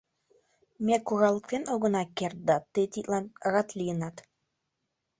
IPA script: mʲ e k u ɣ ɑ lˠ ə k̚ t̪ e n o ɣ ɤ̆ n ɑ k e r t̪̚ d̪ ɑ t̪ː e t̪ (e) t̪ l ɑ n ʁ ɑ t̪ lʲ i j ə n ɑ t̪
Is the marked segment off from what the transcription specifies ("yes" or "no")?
yes